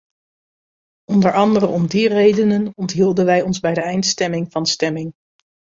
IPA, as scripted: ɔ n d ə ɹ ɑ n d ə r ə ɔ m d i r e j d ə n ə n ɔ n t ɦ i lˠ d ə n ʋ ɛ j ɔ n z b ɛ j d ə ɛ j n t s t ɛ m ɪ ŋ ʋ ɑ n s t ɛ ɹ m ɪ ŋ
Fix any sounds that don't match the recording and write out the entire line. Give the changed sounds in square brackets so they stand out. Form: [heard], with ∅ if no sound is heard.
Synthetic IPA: ɔ n d ə ɹ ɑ n d ə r ə ɔ m d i r e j d ə n ə n ɔ n t ɦ i lˠ d ə n ʋ ɛ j ɔ n z b ɛ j d ə ɛ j n t s t ɛ m ɪ ŋ [v] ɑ n s t ɛ [∅] m ɪ ŋ